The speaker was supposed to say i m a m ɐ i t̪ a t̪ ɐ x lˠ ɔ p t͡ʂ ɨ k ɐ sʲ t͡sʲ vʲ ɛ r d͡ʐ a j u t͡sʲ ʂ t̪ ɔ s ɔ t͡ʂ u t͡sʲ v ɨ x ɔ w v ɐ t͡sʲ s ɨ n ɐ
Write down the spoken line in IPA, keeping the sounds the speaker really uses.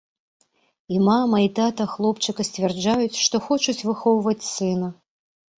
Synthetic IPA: i m a m ɐ i t̪ a t̪ ɐ x lˠ ɔ p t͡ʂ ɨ k ɐ sʲ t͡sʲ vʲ ɛ r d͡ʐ a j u t͡sʲ ʂ t̪ ɔ x ɔ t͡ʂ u t͡sʲ v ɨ x ɔ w v ɐ t͡sʲ s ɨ n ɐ